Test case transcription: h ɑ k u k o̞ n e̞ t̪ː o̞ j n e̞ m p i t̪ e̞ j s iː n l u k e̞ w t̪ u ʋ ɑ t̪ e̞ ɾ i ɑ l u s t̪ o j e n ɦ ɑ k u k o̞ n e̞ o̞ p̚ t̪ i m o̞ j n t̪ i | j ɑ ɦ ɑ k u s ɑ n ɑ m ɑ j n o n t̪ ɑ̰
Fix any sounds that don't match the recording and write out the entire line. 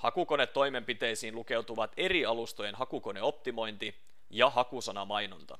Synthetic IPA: h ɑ k u k o̞ n e̞ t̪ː o̞ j m e̞ m p i t̪ e̞ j s iː n l u k e̞ w t̪ u ʋ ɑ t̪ e̞ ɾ i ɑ l u s t̪ o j e n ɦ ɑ k u k o̞ n e̞ o̞ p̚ t̪ i m o̞ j n t̪ i | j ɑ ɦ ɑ k u s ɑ n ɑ m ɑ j n o n t̪ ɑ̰